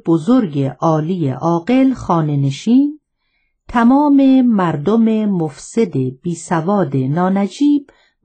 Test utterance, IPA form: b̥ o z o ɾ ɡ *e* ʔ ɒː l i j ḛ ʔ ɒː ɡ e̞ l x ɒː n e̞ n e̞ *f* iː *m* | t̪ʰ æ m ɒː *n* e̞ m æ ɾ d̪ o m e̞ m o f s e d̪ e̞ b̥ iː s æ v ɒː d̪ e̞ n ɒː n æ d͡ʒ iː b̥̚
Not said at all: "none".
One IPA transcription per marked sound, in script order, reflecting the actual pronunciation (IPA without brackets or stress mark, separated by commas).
e, ʃ, n, m